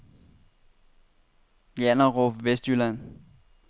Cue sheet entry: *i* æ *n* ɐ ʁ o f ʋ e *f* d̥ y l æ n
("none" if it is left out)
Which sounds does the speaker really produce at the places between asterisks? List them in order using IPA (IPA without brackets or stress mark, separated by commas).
j, n, s